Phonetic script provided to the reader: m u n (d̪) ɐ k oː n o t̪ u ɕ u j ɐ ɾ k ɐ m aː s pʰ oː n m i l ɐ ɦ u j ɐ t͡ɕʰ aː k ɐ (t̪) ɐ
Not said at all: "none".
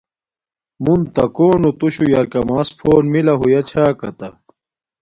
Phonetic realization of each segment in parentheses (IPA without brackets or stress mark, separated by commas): t̪, t̪